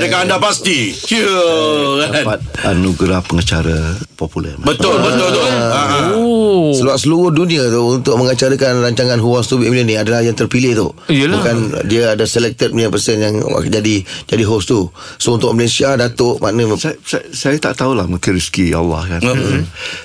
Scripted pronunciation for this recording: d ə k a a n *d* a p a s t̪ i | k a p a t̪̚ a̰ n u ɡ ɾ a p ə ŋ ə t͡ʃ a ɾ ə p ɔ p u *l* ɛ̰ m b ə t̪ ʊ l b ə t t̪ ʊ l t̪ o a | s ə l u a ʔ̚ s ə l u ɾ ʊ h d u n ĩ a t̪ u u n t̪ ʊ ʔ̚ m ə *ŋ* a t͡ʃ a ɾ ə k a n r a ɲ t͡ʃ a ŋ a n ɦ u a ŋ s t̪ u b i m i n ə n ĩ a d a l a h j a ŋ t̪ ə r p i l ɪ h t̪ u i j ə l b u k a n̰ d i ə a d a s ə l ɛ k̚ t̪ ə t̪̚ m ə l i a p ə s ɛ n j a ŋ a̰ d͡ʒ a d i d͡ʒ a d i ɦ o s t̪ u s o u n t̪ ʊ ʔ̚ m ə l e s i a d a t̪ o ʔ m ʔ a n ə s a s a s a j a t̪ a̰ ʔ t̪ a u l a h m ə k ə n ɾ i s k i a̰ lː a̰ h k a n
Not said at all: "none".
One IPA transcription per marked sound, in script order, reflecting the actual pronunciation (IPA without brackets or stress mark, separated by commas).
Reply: d, l, ŋ